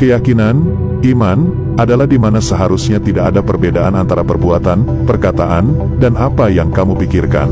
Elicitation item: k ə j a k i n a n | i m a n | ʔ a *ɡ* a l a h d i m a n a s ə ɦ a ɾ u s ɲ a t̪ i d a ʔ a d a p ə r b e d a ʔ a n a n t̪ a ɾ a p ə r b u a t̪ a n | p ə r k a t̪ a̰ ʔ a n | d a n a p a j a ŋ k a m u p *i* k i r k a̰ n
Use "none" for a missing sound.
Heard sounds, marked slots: d, i

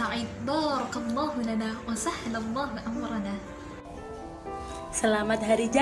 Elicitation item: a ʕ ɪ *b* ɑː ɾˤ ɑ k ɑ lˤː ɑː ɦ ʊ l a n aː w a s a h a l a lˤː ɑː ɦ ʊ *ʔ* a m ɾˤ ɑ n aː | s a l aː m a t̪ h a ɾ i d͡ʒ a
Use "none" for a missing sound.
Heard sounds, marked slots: b, ʔ

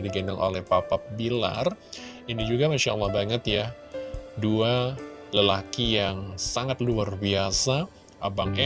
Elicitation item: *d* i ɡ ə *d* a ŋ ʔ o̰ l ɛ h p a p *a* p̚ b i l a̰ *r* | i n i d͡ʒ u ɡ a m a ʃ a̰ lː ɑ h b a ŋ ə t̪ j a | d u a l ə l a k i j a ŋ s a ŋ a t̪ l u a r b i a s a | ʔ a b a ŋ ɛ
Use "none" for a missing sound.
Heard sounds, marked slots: d, n, a, r

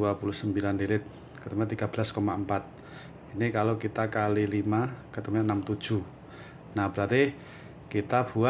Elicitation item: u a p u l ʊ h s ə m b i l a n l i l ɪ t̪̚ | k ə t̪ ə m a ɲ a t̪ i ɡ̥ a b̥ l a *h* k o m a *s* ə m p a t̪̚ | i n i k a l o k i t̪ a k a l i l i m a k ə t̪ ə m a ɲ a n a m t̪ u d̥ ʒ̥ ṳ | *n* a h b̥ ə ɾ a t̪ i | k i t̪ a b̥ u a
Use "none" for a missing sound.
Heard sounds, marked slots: s, none, n

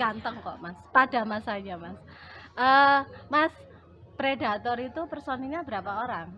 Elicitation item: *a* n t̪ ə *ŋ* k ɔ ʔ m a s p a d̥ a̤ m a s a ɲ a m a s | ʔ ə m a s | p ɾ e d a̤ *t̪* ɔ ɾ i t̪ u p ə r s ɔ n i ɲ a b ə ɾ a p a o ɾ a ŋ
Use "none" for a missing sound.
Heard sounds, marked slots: a, ŋ, t̪

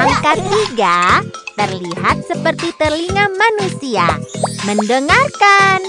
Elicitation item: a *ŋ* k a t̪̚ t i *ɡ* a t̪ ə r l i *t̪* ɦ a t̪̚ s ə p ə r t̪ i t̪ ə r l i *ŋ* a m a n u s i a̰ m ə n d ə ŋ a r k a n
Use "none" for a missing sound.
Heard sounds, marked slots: ŋ, ɡ, none, ŋ

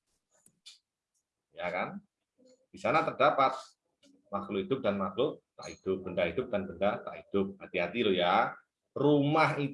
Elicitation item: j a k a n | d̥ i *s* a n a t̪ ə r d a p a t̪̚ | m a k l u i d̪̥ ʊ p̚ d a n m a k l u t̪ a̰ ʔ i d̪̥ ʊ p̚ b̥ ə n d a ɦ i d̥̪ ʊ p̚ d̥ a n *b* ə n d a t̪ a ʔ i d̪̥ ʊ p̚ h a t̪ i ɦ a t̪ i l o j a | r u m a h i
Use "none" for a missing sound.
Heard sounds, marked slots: s, b

